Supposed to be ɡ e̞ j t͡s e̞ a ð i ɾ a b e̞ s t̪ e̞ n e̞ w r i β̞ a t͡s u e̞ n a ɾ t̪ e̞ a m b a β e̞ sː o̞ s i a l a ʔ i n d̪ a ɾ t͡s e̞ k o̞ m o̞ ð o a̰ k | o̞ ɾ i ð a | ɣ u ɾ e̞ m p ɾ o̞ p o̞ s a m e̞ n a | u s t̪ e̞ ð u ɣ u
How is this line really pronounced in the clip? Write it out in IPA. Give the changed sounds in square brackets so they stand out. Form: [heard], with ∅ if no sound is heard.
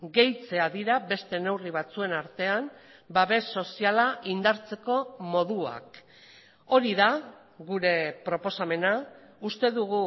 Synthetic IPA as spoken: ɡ e̞ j t͡s e̞ a ð i ɾ a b e̞ s t̪ e̞ n e̞ w r i β̞ a t͡s u e̞ n a ɾ t̪ e̞ a m b a β e̞ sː o̞ s i a l a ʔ i n d̪ a ɾ t͡s e̞ k o̞ m o̞ ð [u] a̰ k | o̞ ɾ i ð a | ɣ u ɾ e̞ [∅] p ɾ o̞ p o̞ s a m e̞ n a | u s t̪ e̞ ð u ɣ u